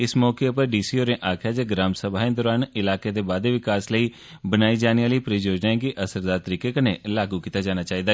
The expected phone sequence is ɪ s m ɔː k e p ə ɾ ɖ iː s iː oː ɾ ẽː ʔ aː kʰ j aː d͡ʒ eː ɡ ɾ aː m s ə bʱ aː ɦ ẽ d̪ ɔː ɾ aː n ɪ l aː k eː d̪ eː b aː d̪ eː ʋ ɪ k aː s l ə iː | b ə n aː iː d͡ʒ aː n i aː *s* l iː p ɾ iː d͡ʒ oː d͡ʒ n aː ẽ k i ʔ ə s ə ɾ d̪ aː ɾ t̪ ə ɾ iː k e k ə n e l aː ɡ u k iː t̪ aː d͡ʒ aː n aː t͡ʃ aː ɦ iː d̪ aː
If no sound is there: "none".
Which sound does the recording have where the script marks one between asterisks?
none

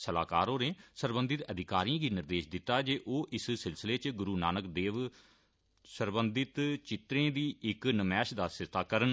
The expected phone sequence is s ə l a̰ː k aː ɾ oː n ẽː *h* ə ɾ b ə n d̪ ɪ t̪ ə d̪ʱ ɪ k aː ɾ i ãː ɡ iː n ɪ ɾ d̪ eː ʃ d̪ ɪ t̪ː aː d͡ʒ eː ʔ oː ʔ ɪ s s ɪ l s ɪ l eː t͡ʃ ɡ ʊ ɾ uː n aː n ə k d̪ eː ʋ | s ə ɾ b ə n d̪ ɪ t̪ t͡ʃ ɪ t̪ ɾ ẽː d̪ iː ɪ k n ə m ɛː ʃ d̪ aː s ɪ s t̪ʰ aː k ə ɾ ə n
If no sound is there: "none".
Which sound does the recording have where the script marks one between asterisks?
s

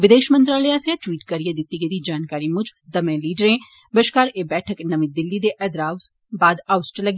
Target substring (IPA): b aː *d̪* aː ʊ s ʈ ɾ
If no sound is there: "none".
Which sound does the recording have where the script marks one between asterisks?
d̪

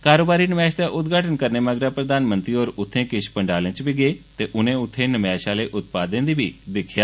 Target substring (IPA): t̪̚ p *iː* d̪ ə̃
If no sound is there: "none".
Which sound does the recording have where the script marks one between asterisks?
aː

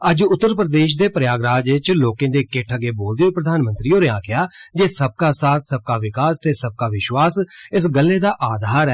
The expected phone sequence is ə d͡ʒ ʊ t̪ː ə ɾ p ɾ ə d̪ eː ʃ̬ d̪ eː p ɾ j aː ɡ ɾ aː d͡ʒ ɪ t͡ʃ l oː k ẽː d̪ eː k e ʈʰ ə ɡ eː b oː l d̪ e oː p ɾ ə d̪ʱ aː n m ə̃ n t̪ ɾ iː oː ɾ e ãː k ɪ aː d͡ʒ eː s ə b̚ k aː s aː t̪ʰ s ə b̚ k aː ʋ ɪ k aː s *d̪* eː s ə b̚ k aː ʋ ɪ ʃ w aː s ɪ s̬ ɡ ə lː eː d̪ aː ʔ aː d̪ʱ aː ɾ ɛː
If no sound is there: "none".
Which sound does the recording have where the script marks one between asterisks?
t̪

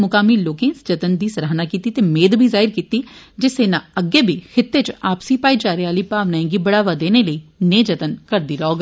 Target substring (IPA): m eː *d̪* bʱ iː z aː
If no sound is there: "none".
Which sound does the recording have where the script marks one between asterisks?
d̪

